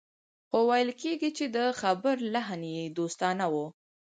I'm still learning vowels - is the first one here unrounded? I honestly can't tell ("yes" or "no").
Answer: no